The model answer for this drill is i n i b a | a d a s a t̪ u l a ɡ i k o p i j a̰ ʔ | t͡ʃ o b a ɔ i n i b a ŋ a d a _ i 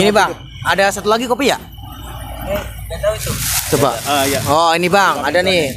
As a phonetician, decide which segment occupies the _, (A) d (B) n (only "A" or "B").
B